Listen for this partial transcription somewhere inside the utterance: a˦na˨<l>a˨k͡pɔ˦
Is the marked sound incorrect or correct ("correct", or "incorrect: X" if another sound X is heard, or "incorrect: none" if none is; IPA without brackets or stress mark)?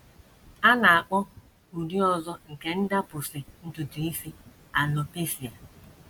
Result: incorrect: none